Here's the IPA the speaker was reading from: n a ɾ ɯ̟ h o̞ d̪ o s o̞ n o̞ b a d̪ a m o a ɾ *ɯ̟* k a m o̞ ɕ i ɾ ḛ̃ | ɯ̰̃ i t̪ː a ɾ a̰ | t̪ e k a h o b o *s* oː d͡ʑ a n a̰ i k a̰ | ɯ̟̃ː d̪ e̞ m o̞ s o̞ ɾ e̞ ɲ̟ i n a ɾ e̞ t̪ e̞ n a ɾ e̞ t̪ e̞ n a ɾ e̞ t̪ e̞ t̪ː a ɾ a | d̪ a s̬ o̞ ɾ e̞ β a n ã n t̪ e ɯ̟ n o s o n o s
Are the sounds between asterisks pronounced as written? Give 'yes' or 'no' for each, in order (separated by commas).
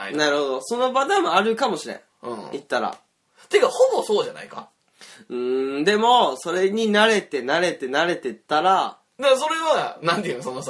yes, yes